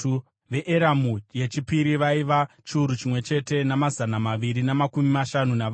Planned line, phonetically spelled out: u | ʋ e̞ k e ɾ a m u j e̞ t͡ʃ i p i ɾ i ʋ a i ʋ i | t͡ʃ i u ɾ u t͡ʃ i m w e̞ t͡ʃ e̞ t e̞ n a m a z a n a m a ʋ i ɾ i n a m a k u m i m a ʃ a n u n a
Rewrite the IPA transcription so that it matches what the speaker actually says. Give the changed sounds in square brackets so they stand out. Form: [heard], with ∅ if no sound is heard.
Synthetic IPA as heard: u | ʋ e̞ [ʔ] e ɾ a m u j e̞ t͡ʃ i p i ɾ i ʋ a i ʋ [a] | t͡ʃ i u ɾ u t͡ʃ i m w e̞ t͡ʃ e̞ t e̞ n a m a z a n a m a ʋ i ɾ i n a m a k u m i m a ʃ a n u n a